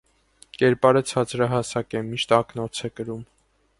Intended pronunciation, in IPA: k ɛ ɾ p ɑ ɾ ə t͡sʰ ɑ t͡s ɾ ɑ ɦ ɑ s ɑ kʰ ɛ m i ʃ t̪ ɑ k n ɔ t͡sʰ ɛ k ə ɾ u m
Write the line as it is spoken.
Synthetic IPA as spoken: k ɛ ɾ p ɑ ɾ ə t͡sʰ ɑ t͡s ɾ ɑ ɦ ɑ s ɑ k ɛ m i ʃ t̪ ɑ k n ɔ t͡sʰ ɛ k ə ɾ u m